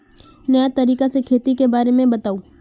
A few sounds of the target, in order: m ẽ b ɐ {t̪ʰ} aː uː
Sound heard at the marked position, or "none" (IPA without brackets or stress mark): t̪